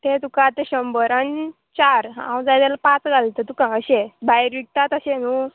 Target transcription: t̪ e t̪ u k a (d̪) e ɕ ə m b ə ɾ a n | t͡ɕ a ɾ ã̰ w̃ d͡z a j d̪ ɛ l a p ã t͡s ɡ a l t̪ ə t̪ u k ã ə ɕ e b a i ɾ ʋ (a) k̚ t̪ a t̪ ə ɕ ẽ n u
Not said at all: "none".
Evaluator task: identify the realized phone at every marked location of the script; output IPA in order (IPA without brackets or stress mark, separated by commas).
t̪, i